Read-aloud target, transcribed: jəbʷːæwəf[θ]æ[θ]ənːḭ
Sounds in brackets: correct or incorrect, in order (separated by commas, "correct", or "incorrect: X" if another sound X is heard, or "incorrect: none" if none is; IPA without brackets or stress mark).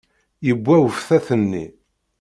correct, correct